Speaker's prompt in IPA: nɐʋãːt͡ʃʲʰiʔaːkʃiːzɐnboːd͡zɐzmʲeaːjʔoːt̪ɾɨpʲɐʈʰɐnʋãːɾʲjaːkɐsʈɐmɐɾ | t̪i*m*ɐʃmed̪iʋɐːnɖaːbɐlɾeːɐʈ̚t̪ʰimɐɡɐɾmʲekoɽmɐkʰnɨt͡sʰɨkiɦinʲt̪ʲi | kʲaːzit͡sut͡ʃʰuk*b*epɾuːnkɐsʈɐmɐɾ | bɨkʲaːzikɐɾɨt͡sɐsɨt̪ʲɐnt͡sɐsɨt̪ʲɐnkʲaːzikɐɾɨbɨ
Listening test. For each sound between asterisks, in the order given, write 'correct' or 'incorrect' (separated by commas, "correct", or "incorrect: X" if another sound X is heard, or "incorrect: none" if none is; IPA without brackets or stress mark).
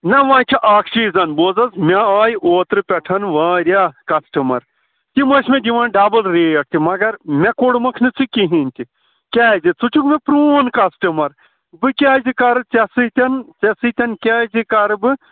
correct, incorrect: m